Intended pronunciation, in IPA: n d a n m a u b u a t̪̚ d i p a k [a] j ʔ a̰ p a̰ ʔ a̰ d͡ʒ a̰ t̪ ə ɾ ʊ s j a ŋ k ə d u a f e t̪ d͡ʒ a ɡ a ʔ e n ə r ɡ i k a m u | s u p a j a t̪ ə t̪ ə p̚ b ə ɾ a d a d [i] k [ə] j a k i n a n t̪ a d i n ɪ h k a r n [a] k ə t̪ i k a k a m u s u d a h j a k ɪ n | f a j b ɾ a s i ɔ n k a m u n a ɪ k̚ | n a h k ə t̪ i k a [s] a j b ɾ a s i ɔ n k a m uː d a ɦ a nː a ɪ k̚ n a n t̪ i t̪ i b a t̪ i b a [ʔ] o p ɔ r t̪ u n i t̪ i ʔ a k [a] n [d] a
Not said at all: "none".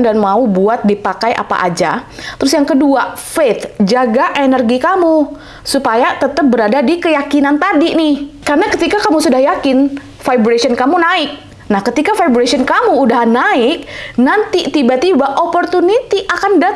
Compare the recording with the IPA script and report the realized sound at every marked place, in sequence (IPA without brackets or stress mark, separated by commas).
a, i, ə, a, f, ʔ, a, d